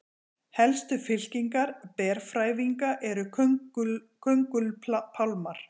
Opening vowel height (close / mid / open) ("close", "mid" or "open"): mid